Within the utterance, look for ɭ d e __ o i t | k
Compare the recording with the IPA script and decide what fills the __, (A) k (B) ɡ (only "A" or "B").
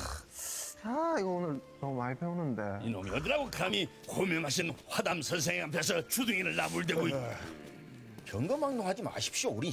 B